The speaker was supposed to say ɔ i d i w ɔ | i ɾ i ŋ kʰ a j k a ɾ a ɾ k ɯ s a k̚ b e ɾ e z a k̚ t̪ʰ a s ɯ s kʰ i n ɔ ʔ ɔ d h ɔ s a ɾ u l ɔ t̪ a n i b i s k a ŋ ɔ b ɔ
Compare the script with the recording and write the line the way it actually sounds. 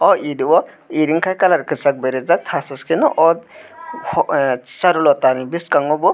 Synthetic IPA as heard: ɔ i d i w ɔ | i ɾ i ŋ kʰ a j k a l a ɾ k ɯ s a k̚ b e ɾ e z a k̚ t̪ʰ a s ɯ s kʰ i n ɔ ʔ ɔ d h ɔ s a ɾ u l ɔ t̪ a n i b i s k a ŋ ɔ b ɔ